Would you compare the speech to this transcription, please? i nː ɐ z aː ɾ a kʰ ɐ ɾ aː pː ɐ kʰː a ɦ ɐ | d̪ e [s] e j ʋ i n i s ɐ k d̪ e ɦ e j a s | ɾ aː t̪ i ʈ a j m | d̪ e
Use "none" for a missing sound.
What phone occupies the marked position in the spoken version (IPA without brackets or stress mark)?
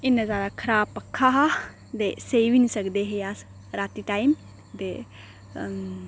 s